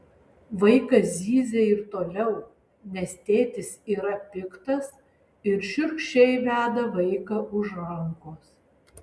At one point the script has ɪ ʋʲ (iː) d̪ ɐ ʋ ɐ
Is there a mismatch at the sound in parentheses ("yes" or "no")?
yes